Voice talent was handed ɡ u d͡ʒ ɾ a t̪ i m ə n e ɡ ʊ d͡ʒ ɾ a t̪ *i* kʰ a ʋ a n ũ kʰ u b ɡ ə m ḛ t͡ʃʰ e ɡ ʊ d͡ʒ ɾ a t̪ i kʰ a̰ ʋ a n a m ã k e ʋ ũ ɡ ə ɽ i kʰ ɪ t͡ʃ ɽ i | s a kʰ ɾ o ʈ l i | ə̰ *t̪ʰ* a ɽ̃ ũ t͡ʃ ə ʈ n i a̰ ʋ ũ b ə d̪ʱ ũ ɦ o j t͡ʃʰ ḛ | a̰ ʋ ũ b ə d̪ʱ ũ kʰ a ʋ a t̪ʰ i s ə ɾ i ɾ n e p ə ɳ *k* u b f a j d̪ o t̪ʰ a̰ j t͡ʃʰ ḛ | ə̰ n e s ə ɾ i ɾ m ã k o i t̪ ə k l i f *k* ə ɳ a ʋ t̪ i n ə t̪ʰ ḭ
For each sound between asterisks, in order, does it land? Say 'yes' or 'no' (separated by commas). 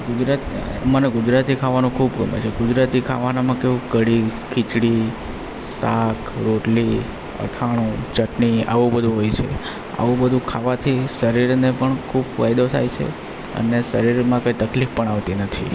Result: yes, yes, no, no